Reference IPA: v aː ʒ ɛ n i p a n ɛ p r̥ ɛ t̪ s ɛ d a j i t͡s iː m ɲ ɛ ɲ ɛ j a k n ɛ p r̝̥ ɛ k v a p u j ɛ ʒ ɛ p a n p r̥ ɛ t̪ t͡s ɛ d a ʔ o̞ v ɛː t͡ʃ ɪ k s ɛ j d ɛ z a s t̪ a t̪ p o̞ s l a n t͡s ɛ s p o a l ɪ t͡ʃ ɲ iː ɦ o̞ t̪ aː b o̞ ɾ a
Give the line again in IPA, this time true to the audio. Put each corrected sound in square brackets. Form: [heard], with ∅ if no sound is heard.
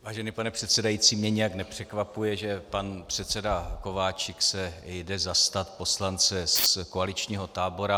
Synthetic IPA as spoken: v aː ʒ ɛ n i p a n ɛ p r̥ ɛ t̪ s ɛ d a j i t͡s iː m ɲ ɛ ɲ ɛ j a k n ɛ p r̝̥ ɛ k v a p u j ɛ ʒ ɛ p a n p r̥ ɛ t̪ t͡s ɛ d a [k] o̞ v [aː] t͡ʃ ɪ k s ɛ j d ɛ z a s t̪ a t̪ p o̞ s l a n t͡s ɛ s [k] o a l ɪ t͡ʃ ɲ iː ɦ o̞ t̪ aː b o̞ ɾ a